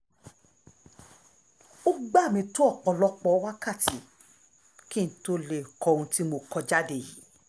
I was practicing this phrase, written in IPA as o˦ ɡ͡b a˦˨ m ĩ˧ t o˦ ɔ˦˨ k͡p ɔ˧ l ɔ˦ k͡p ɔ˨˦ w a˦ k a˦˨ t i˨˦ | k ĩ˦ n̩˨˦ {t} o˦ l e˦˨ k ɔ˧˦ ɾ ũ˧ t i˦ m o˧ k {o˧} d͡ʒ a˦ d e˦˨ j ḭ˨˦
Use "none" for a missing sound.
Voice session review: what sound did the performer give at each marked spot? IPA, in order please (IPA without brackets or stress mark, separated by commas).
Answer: t, ɔ˧